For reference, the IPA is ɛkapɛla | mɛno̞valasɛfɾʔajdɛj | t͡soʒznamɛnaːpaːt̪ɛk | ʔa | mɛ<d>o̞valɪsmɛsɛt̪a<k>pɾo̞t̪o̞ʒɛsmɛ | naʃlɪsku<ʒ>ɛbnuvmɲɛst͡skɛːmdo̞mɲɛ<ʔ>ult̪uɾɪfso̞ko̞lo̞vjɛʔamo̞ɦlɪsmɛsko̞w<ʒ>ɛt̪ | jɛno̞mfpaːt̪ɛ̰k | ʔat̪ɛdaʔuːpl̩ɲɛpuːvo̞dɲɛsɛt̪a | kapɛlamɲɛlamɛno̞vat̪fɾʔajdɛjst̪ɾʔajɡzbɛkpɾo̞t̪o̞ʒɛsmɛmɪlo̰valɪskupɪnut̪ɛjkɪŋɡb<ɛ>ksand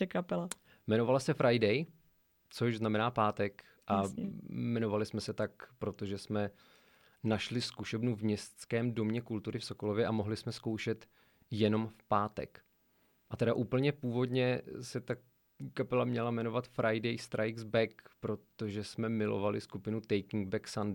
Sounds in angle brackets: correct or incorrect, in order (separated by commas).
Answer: incorrect, correct, incorrect, incorrect, incorrect, correct